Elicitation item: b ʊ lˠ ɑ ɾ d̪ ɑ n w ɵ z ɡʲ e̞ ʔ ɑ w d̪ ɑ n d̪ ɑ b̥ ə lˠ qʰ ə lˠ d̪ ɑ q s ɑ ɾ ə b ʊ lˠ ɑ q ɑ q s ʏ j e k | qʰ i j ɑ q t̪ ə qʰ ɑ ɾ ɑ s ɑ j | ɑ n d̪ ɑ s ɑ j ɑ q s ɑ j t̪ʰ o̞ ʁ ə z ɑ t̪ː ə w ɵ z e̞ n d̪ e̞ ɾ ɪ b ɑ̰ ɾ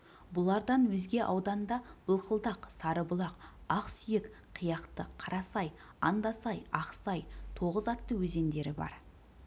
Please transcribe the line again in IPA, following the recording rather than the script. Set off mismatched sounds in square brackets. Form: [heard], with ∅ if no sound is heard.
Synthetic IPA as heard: b ʊ lˠ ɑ ɾ d̪ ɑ n w ɵ z ɡʲ e̞ ʔ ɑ w d̪ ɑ n d̪ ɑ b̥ ə lˠ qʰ ə lˠ d̪ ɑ q s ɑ ɾ ə b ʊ lˠ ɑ q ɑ q s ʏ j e k | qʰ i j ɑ q t̪ ə qʰ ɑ ɾ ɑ s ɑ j | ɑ n d̪ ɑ s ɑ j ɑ q s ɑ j t̪ʰ o̞ ʁ ə z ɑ t̪ː ə w ɵ z e̞ n d̪ e̞ ɾ ɪ b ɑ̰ ɾ